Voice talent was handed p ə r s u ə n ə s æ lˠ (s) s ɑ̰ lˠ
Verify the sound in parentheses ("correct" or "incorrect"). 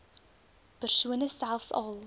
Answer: incorrect